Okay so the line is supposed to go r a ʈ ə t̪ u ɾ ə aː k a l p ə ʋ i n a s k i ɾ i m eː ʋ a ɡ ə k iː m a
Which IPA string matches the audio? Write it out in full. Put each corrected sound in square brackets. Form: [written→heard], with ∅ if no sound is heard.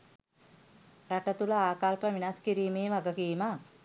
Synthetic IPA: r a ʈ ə t̪ u [ɾ→l] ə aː k a l p ə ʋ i n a s k i ɾ [i→iː] m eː ʋ a ɡ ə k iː m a